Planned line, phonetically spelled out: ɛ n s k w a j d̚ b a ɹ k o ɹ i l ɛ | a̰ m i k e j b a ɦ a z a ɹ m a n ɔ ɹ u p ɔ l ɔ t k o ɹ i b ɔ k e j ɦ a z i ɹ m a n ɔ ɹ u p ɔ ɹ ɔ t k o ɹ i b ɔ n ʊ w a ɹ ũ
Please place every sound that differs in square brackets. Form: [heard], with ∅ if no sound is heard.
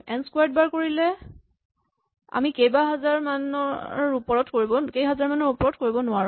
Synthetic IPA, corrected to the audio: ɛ n s k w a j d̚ b a ɹ k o ɹ i l ɛ | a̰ m i k e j b a ɦ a z a ɹ m a n ɔ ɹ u p ɔ [ɹ] ɔ t k o ɹ i b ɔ k e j ɦ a z [a] ɹ m a n ɔ ɹ u p ɔ ɹ ɔ t k o ɹ i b ɔ n ʊ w a ɹ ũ